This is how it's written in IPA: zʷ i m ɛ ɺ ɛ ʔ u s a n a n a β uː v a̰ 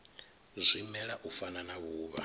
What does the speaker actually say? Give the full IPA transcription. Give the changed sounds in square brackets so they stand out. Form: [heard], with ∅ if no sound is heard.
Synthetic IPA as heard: zʷ i m ɛ ɺ [a] ʔ u [f] a n a n a β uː [β] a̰